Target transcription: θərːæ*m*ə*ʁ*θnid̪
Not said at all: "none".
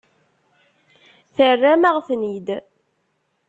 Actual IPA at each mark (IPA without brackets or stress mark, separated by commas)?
m, ʁ